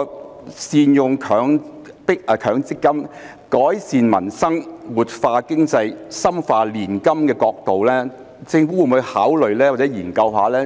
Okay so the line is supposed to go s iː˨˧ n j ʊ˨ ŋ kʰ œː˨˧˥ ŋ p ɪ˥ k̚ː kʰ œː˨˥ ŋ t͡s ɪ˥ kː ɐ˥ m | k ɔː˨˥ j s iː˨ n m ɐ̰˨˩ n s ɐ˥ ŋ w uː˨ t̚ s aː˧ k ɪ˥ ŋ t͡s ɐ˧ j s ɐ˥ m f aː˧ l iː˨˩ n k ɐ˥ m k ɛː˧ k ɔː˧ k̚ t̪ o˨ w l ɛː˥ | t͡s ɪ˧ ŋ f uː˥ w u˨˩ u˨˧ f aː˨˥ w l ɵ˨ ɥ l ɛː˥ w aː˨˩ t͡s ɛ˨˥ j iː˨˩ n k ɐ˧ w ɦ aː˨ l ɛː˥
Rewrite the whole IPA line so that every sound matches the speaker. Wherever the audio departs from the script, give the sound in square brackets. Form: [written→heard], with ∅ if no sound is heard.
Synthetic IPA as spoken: s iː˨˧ n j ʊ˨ ŋ kʰ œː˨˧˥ ŋ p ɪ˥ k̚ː kʰ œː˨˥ ŋ t͡s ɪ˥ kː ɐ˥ m | k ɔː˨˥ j s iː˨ n m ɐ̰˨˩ n s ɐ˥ ŋ w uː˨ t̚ [s→f] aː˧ k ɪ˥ ŋ t͡s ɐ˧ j s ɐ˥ m f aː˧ l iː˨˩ n k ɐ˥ m k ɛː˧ k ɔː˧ k̚ t̪ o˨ w l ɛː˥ | t͡s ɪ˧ ŋ f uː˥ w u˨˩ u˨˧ [f→h] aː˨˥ w l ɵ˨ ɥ l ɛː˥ w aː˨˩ t͡s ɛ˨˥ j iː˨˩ n k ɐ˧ w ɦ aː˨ l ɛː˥